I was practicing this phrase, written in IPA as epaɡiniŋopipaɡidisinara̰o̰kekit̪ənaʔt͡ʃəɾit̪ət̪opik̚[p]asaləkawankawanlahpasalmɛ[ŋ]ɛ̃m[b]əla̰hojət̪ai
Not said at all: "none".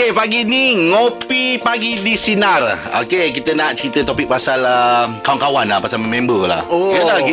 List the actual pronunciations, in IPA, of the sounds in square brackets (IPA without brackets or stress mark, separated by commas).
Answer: p, m, b